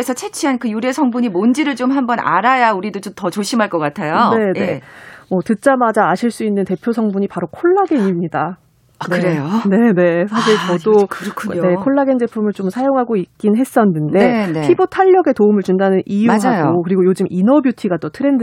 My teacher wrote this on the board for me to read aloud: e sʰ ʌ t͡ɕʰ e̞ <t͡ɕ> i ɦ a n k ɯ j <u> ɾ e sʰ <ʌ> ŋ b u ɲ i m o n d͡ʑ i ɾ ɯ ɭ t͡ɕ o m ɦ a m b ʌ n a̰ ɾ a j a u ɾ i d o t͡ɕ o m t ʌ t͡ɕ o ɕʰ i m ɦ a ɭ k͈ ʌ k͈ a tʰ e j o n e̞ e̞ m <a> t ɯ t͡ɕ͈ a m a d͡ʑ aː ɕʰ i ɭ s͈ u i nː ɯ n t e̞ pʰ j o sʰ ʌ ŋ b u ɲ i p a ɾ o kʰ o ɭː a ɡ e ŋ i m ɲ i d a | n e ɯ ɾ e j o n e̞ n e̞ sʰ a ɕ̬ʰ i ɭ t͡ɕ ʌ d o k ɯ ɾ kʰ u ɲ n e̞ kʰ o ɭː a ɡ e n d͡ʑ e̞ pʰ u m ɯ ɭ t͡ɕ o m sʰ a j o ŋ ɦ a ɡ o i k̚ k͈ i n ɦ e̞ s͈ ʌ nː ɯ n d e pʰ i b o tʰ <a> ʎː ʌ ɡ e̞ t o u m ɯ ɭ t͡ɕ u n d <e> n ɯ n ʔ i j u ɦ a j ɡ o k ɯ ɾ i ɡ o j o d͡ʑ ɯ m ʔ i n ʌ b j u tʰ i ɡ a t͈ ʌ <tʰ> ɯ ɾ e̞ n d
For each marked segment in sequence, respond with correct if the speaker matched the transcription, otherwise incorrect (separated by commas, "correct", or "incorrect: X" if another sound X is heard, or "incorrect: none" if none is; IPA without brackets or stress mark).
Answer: incorrect: t͡ɕʰ, correct, correct, incorrect: ʌ, correct, incorrect: a, correct